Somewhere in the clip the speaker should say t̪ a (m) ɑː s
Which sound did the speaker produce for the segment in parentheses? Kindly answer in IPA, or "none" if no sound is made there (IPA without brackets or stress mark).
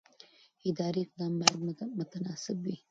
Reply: n